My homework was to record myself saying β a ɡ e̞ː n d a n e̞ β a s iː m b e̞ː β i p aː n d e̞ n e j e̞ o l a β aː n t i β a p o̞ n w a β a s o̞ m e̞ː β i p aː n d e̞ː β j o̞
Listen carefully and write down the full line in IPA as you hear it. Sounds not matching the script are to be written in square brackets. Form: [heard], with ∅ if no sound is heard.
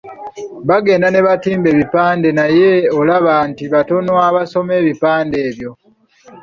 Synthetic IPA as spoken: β a ɡ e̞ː n d a n e̞ β a [t] iː m b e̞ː β i p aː n d e̞ n [a] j e̞ o l a β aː n t i β a [t] o̞ n w a β a s o̞ m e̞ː β i p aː n d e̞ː β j o̞